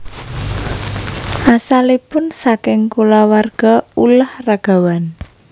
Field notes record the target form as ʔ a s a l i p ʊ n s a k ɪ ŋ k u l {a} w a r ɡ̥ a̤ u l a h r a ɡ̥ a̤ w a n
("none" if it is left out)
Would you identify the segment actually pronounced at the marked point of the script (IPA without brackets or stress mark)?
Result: a